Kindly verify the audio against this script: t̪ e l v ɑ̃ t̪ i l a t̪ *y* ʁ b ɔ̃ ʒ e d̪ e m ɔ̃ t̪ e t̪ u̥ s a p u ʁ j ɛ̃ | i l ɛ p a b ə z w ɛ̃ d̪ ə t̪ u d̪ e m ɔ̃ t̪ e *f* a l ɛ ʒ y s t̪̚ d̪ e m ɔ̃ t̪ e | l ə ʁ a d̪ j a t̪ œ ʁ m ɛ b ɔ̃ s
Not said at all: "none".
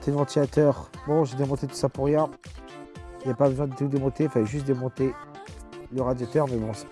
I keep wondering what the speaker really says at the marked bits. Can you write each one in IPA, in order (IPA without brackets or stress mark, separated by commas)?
œ, f